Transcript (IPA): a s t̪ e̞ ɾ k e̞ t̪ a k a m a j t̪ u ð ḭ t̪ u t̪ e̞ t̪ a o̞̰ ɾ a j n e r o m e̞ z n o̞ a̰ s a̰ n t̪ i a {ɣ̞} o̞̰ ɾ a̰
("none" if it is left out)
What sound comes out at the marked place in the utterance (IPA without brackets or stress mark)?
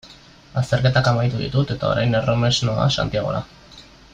ɣ̞